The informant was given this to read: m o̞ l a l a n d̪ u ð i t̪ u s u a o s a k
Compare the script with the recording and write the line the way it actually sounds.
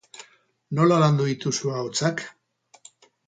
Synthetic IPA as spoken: n o̞ l a l a n d̪ u ð i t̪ u s u a o t͡s a k